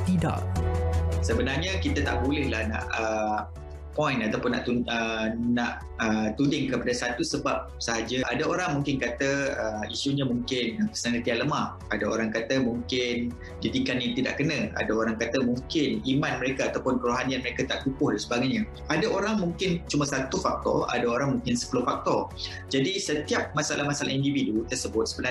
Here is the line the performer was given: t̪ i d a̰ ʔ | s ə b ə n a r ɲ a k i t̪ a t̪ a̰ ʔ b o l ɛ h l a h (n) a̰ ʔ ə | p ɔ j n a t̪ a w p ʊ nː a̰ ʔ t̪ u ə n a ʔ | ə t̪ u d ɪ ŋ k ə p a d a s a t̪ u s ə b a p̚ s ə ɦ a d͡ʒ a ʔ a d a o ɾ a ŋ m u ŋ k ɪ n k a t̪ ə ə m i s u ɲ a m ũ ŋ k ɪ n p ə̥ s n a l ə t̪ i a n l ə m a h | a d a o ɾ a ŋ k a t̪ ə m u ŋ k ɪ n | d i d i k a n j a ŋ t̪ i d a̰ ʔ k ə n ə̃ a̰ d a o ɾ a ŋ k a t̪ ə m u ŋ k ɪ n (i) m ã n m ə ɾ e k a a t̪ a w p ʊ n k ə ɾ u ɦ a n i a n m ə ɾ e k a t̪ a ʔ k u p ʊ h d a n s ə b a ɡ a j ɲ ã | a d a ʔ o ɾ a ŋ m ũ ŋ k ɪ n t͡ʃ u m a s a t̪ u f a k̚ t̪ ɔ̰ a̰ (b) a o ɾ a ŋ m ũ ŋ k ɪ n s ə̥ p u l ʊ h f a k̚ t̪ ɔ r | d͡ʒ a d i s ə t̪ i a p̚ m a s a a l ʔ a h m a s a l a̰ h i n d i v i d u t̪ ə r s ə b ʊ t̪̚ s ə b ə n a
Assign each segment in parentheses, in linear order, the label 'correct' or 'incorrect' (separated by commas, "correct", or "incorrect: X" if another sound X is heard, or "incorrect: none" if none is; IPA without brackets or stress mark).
correct, correct, incorrect: d